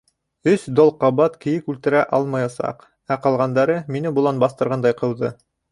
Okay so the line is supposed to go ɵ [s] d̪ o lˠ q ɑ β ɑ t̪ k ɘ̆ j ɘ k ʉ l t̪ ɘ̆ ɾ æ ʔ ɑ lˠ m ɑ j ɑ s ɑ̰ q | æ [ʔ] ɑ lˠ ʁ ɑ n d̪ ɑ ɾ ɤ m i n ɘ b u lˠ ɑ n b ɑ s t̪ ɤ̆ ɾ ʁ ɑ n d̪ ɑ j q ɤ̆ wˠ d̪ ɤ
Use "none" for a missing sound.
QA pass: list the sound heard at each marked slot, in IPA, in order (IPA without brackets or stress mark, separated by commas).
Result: s, q